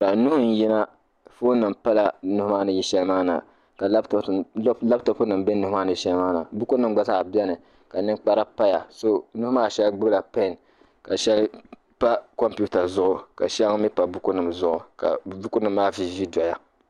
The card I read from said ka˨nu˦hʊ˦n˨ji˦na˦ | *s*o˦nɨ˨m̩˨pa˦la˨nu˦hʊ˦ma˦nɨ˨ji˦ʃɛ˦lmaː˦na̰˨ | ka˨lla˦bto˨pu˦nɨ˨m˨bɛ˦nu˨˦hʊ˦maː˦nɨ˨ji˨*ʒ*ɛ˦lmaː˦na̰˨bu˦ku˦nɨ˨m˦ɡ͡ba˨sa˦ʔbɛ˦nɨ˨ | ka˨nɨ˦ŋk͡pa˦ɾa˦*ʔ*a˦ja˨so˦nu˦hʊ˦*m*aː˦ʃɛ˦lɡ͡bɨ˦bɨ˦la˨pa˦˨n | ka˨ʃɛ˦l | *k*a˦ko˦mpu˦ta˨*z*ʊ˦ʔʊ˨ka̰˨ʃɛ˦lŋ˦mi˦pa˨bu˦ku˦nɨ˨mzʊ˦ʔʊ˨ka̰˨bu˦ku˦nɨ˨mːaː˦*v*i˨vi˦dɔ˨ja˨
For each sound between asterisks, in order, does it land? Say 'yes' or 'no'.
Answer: no, no, no, yes, no, yes, yes

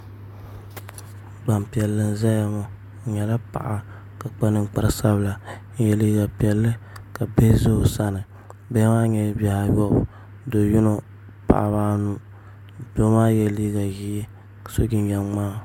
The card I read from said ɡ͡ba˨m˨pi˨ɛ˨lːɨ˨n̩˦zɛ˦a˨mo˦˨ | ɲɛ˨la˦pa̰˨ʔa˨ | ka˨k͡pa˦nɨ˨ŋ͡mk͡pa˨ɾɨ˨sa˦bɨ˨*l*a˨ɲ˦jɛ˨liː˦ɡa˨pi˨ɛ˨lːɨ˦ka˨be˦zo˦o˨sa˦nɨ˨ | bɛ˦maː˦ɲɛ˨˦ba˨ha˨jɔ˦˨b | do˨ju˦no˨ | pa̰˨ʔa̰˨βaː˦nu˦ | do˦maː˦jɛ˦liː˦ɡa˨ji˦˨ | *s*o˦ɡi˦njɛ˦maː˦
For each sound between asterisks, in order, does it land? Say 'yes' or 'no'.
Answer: yes, yes

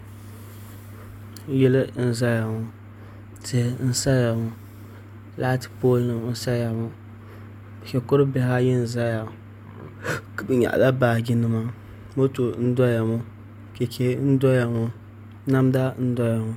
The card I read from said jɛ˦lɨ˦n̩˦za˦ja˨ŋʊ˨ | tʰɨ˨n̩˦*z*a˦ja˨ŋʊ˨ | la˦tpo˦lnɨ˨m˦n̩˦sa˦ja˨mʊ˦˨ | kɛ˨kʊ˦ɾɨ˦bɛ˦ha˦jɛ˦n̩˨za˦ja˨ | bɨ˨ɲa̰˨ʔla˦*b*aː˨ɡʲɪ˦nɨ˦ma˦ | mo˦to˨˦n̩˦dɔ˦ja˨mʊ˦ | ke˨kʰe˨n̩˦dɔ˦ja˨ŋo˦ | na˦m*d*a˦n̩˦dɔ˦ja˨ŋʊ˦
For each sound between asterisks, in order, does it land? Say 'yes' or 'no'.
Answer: no, yes, yes

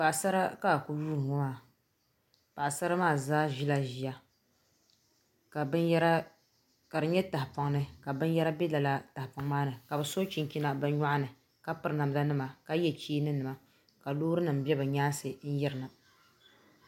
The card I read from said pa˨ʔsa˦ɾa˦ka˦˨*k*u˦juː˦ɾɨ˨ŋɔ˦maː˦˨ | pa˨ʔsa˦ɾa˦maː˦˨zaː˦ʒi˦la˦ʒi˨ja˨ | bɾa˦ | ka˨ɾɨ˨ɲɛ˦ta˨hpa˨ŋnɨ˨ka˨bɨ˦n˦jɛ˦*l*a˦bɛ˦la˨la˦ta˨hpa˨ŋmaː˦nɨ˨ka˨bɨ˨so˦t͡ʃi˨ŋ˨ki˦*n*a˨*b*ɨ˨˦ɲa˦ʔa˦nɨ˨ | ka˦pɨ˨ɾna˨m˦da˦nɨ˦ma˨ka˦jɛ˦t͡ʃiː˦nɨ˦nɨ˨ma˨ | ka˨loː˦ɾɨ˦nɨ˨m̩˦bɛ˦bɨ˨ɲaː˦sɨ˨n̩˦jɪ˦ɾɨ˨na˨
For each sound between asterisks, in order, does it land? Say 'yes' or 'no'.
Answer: yes, no, yes, yes

